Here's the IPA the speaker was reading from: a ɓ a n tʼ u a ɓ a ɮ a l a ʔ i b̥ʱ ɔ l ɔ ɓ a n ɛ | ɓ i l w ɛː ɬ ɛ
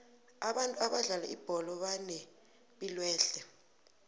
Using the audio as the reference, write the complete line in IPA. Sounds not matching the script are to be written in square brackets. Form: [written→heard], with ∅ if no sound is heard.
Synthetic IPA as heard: a ɓ a n tʼ u a ɓ a ɮ a l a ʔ i b̥ʱ ɔ l ɔ ɓ a n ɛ | ɓ i l w ɛː ɬ ɛ